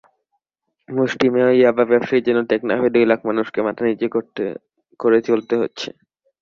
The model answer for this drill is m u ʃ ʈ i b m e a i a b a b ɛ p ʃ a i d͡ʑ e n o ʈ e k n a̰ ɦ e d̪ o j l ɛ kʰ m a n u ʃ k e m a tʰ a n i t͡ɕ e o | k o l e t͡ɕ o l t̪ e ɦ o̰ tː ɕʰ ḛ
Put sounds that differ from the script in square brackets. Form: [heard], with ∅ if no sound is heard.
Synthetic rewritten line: m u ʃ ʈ i [∅] m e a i a b a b ɛ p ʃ a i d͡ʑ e n o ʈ e k n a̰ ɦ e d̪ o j l [a] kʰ m a n u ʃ k e m a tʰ a n i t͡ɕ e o | k o [ɾ] e t͡ɕ o l t̪ e ɦ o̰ tː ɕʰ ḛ